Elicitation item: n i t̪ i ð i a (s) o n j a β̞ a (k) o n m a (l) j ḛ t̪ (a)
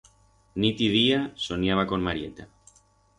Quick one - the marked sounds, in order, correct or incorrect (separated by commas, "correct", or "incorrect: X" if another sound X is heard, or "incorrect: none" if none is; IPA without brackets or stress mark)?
correct, correct, incorrect: ɾ, correct